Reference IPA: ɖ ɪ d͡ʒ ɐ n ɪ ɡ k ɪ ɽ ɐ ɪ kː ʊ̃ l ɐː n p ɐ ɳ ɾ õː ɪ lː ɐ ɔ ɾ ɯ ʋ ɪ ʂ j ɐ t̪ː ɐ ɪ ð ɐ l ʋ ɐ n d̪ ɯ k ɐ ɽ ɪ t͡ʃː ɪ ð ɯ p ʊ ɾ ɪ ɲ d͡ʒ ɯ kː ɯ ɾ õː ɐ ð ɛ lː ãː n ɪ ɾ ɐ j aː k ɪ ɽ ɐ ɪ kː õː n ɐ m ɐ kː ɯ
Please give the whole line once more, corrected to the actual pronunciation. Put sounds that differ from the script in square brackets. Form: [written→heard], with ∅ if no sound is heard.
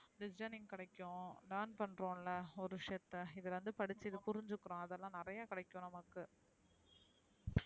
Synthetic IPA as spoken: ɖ ɪ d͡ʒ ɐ n ɪ [ɡ→ŋ] k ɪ ɽ ɐ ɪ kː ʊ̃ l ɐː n p ɐ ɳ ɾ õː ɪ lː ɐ ɔ ɾ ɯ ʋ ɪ ʂ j ɐ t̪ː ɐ ɪ ð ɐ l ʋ ɐ n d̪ ɯ [k→p] ɐ ɽ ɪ t͡ʃː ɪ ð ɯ p ʊ ɾ ɪ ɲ d͡ʒ ɯ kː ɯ ɾ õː ɐ ð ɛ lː ãː n ɪ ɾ ɐ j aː k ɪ ɽ ɐ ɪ kː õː n ɐ m ɐ kː ɯ